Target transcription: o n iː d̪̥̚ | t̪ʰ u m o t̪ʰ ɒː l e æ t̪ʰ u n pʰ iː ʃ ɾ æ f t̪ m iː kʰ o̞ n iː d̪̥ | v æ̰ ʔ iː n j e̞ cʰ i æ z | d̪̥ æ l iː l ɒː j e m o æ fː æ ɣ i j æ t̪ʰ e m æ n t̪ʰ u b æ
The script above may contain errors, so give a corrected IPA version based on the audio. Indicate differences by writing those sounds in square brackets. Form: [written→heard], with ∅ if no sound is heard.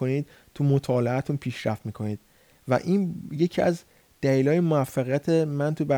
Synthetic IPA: o n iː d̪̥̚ | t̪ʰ u m o t̪ʰ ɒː l e æ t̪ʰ u n pʰ iː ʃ ɾ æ f t̪ m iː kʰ o̞ n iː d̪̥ | v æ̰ ʔ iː n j e̞ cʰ i æ z | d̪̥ æ l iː l ɒː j e m o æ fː æ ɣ i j æ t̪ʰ e m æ n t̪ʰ u b æ